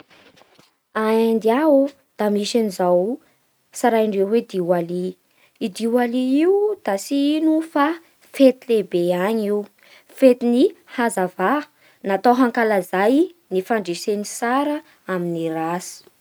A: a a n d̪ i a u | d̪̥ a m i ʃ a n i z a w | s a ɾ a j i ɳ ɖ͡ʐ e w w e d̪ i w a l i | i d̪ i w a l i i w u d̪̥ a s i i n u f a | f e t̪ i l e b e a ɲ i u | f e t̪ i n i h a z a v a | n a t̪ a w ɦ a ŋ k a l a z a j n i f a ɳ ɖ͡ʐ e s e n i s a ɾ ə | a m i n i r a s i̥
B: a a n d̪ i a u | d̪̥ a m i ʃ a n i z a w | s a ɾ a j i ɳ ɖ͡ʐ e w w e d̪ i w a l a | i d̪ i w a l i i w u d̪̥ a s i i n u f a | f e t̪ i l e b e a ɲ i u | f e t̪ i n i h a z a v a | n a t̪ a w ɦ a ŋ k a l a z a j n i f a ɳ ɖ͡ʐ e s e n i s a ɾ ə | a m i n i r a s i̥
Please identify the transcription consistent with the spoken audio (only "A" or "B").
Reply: A